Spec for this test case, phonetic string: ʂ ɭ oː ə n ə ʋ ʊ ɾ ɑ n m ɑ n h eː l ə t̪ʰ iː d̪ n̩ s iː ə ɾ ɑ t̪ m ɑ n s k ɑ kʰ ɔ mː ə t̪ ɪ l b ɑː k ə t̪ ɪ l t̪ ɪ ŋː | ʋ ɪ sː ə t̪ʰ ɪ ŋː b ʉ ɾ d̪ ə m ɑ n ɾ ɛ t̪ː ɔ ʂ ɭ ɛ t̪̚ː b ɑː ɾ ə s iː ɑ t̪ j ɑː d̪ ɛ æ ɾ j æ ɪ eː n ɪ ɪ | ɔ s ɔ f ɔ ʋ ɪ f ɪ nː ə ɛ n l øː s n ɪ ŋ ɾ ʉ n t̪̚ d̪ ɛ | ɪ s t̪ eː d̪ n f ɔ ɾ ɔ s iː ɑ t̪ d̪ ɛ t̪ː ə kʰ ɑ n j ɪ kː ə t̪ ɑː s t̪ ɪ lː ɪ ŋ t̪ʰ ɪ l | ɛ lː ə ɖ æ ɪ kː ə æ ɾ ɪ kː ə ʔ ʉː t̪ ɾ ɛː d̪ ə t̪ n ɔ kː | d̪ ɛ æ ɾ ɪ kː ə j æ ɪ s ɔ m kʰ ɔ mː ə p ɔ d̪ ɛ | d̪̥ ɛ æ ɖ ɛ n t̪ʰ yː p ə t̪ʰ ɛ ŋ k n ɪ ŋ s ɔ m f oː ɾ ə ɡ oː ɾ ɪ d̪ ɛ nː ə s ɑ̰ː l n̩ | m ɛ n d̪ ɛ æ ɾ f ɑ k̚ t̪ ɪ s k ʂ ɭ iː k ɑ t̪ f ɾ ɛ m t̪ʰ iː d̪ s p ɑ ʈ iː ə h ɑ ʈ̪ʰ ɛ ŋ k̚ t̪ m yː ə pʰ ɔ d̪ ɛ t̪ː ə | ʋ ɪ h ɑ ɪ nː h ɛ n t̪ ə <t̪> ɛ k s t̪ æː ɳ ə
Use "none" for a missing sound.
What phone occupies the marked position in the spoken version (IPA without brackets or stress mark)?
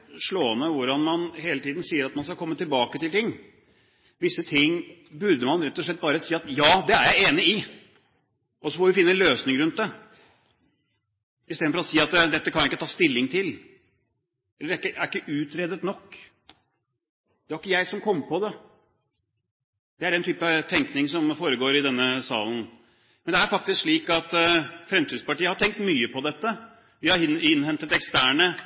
t̪